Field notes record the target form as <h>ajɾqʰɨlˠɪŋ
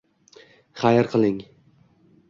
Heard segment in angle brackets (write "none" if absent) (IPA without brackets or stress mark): χ